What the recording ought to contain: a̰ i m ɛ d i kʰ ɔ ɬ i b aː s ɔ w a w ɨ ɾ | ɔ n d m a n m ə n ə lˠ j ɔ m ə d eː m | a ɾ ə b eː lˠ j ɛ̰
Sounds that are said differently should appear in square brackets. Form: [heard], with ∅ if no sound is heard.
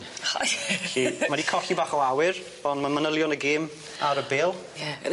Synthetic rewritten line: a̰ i m [a] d i kʰ ɔ ɬ i b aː [χ] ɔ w a w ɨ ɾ | ɔ n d m a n m ə n ə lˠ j ɔ [n] ə [ɡ] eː m | a ɾ ə b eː lˠ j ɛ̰